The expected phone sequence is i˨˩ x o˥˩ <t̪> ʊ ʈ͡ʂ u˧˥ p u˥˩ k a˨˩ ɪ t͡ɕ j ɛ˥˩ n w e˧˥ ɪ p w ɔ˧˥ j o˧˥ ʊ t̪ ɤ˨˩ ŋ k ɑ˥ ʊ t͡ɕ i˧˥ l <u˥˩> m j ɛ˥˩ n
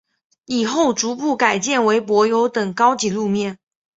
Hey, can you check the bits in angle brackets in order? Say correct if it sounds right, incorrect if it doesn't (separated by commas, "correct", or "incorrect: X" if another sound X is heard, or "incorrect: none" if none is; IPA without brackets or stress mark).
incorrect: none, incorrect: u˥˧